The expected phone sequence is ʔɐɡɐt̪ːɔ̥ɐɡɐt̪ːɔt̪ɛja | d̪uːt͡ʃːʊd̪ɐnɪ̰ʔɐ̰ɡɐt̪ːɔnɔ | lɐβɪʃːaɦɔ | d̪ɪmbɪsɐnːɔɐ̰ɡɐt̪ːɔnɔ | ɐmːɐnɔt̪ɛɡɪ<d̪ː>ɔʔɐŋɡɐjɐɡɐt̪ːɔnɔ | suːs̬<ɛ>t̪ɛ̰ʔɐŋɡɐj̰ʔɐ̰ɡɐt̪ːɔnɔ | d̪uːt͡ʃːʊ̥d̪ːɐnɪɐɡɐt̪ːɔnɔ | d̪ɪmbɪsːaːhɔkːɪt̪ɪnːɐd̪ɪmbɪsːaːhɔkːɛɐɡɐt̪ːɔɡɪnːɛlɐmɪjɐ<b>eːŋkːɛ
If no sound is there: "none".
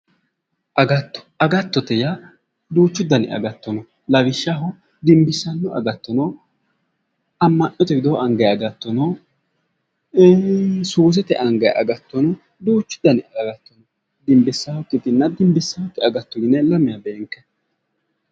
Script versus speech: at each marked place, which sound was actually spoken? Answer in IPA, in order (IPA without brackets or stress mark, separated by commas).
d̪, ɛ, b